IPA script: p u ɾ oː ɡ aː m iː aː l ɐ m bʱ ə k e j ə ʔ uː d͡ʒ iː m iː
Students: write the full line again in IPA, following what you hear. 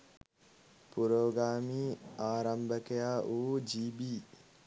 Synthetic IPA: p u ɾ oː ɡ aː m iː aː ɾ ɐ m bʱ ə k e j a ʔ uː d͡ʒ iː b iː